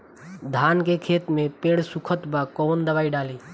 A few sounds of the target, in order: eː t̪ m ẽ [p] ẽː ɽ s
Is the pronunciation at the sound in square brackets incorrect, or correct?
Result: correct